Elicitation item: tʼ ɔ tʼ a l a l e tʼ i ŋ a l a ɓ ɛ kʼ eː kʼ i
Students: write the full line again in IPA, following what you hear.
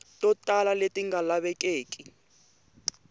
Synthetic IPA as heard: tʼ ɔ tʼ a l a l e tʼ i ŋ a l a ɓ ɛ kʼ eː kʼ i